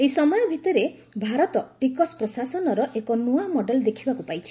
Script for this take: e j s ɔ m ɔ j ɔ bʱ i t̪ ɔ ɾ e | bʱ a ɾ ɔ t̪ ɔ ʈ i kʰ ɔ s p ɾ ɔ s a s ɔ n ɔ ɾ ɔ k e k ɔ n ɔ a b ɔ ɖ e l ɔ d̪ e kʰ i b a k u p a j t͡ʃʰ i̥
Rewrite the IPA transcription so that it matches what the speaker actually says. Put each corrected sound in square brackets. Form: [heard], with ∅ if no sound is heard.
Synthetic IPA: e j s ɔ m ɔ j ɔ bʱ i t̪ ɔ ɾ e | bʱ a ɾ ɔ t̪ ɔ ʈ i [k] ɔ s p ɾ ɔ s a s ɔ n ɔ ɾ ɔ [ʔ] e k ɔ n [u] a [m] ɔ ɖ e l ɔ d̪ e kʰ i b a k u p a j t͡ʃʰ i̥